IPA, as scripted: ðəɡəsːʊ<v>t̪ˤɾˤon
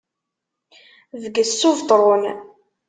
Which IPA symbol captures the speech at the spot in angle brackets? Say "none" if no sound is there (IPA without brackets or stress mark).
v